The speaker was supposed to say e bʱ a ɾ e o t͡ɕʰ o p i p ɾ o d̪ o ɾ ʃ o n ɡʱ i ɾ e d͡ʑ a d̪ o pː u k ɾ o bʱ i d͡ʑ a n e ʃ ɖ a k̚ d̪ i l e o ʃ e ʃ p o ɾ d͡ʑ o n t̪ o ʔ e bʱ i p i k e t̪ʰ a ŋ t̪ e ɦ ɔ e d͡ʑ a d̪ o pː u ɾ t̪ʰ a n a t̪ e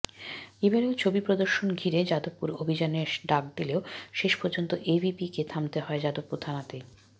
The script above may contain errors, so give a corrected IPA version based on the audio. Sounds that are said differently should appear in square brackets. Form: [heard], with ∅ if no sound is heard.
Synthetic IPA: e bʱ a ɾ e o t͡ɕʰ o [b] i p ɾ o d̪ o ɾ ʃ o n ɡʱ i ɾ e d͡ʑ a d̪ o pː u [∅] ɾ o bʱ i d͡ʑ a n e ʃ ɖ a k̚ d̪ i l e o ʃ e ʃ p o ɾ d͡ʑ o n t̪ o ʔ e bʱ i p i k e t̪ʰ a [m] t̪ e ɦ ɔ e d͡ʑ a d̪ o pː u ɾ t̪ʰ a n a t̪ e